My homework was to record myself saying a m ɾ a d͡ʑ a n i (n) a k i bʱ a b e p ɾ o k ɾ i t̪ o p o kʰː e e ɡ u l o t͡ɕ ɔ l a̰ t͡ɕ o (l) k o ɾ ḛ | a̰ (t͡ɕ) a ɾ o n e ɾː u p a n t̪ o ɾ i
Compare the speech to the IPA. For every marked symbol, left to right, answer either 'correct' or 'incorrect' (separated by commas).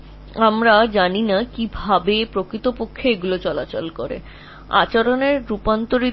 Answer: correct, correct, correct